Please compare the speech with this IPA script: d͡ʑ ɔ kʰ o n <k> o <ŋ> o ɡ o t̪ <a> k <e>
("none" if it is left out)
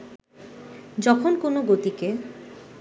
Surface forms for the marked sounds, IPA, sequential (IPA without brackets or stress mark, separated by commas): k, n, i, e